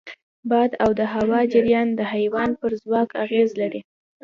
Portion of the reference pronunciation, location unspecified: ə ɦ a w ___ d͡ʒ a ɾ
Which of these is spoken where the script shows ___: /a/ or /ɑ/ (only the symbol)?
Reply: ɑ